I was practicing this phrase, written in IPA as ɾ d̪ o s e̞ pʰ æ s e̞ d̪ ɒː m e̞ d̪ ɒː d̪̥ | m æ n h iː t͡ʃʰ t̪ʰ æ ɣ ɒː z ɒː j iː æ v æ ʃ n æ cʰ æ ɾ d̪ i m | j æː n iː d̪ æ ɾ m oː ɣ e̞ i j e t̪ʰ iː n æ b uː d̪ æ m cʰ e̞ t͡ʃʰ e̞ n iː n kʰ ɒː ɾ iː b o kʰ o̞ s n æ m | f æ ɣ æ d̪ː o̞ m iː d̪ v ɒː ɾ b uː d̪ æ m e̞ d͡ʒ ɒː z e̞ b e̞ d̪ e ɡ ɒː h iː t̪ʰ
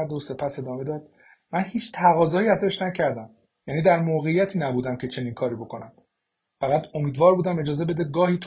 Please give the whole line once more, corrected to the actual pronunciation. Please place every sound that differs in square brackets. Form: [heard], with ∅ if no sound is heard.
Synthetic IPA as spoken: ɾ d̪ o s e̞ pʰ æ s e̞ d̪ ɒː m e̞ d̪ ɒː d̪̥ | m æ n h iː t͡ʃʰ t̪ʰ æ ɣ ɒː z ɒː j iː æ [z] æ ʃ n æ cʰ æ ɾ d̪ [æ] m | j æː n iː d̪ æ ɾ m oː ɣ e̞ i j [æ] t̪ʰ iː n æ b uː d̪ æ m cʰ e̞ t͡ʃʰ e̞ n iː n kʰ ɒː ɾ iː b o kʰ o̞ [∅] n æ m | f æ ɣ æ [d̪] o̞ m iː d̪ v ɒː ɾ b uː d̪ æ m e̞ d͡ʒ ɒː z e̞ b e̞ d̪ e ɡ ɒː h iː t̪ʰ